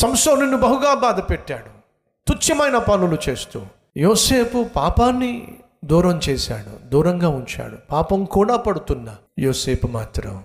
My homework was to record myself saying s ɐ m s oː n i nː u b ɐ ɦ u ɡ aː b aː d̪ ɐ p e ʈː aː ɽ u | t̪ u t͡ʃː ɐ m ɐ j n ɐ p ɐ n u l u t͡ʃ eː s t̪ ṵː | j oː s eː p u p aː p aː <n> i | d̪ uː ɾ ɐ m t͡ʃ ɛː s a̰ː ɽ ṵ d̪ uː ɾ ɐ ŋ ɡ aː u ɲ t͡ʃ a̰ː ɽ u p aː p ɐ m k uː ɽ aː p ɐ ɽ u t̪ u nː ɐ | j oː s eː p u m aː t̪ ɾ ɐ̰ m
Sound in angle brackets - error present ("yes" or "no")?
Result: yes